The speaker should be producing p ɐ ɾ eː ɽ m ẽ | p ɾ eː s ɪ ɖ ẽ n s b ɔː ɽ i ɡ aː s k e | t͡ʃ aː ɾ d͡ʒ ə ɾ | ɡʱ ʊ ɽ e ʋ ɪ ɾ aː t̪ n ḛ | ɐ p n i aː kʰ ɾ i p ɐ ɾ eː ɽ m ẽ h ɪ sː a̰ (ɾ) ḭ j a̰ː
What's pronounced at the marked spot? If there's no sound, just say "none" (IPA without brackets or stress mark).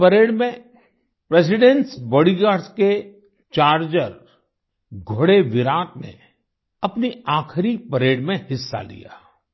l